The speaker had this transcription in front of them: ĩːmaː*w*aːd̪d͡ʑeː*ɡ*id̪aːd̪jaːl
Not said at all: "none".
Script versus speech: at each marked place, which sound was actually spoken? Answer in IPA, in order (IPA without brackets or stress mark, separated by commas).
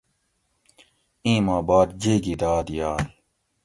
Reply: b, ɡ